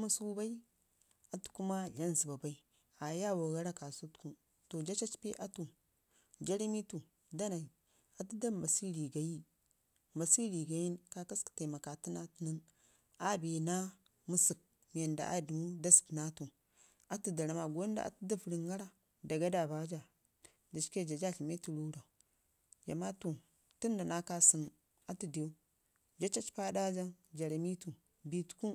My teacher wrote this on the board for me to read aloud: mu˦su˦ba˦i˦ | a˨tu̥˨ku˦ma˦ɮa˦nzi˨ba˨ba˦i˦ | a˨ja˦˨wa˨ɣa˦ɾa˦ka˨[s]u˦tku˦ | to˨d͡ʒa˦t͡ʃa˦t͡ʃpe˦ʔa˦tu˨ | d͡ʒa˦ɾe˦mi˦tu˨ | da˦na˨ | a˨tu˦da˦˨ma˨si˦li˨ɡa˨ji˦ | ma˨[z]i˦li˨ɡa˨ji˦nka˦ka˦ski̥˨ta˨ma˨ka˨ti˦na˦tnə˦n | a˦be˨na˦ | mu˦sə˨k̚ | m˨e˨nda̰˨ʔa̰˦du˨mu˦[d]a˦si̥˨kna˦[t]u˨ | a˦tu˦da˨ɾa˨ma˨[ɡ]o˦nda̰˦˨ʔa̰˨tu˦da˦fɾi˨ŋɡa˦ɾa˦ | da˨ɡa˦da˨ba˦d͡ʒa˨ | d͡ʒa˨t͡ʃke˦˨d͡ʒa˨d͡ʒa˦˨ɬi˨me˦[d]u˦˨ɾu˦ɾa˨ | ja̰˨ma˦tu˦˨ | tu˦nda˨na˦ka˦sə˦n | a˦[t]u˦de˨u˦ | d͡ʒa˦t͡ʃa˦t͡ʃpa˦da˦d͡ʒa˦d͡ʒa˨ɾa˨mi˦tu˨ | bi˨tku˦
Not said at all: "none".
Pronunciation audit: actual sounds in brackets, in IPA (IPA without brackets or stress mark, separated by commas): s, s, d, t, ɡ, t, t